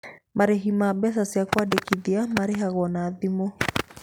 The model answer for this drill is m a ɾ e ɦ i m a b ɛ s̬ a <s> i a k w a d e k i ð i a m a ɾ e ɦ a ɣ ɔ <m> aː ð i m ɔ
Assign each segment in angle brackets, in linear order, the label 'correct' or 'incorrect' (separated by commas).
correct, incorrect